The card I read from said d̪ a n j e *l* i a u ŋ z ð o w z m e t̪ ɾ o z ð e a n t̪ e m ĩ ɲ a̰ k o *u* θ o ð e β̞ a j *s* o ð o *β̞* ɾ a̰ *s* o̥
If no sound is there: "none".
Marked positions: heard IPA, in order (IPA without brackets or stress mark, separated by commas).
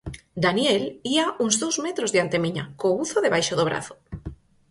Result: l, u, ʃ, β̞, θ